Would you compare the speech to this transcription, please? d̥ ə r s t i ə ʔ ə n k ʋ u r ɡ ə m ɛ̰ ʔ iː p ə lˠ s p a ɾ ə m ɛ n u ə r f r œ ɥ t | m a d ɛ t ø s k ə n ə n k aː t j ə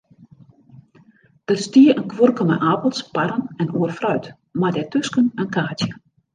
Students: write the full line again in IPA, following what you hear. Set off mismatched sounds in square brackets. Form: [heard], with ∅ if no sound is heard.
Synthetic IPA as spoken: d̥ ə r s t i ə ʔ ə n k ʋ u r [k] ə m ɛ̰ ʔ [aː] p ə lˠ s p a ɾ ə [n] ɛ n u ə r f r œ ɥ t | m a d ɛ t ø s k ə n ə n k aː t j ə